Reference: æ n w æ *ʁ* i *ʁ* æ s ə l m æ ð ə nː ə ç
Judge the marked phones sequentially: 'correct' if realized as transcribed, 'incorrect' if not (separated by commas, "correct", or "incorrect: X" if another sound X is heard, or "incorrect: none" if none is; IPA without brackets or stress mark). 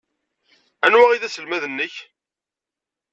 correct, incorrect: ð